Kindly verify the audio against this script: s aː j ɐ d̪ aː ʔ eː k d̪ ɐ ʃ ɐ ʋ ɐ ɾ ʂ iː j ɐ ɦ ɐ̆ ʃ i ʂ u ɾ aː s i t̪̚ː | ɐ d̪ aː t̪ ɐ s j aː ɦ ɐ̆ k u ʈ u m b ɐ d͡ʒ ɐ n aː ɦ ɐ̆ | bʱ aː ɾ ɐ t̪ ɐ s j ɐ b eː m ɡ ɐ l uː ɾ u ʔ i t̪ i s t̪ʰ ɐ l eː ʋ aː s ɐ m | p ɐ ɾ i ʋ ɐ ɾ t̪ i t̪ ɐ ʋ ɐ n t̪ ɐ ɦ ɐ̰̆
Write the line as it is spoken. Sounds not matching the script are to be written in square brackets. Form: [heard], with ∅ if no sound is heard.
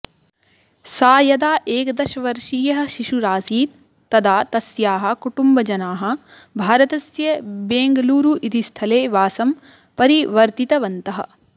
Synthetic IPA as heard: s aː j ɐ d̪ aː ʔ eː k d̪ ɐ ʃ ɐ ʋ ɐ ɾ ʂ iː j ɐ ɦ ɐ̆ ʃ i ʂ u ɾ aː s [iː] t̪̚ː | ɐ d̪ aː t̪ ɐ s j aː ɦ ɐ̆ k u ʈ u m b ɐ d͡ʒ ɐ n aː ɦ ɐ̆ | bʱ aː ɾ ɐ t̪ ɐ s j ɐ b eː [ŋ] ɡ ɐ l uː ɾ u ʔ i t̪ i s t̪ʰ ɐ l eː ʋ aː s ɐ m | p ɐ ɾ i ʋ ɐ ɾ t̪ i t̪ ɐ ʋ ɐ n t̪ ɐ ɦ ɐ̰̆